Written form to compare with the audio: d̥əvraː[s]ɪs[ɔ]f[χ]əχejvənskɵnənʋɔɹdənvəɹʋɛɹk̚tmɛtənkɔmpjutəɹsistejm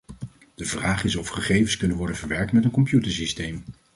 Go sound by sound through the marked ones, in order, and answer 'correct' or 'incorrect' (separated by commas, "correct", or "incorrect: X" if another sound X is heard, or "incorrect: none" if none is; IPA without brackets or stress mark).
incorrect: χ, correct, correct